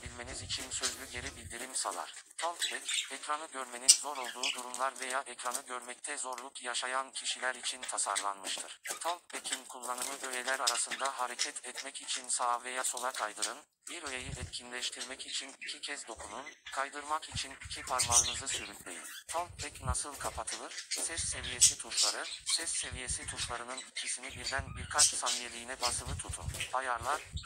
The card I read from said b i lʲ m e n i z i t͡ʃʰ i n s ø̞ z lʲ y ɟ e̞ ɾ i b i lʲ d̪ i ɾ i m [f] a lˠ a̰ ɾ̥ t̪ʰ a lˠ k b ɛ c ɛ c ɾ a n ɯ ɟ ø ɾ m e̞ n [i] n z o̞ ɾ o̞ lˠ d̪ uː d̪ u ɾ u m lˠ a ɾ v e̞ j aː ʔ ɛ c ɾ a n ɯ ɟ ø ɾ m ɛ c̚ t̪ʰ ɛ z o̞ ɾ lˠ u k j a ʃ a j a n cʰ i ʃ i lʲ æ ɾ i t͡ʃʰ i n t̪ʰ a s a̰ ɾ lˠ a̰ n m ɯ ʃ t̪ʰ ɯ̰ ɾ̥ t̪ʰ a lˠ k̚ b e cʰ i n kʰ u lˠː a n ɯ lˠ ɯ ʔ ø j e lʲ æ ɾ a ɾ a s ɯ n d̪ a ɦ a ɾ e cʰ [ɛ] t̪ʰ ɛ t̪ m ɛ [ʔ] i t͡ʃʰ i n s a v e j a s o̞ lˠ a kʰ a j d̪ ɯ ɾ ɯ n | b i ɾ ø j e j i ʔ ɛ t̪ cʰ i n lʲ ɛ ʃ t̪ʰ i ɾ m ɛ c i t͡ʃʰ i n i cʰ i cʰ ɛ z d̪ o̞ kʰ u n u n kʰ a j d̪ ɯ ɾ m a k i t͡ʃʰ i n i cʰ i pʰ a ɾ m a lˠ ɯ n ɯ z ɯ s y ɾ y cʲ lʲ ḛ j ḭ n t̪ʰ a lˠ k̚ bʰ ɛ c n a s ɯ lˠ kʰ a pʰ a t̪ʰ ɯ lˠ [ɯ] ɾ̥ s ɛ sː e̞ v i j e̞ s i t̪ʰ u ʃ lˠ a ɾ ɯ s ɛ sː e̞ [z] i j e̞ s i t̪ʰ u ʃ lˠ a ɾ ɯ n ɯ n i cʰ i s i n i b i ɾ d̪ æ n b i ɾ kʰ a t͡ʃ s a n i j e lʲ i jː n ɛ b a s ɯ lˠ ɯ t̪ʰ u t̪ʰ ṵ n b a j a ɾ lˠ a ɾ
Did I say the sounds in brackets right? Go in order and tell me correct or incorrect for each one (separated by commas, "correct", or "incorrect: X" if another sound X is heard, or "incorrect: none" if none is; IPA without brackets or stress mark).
incorrect: s, correct, correct, incorrect: c, correct, incorrect: v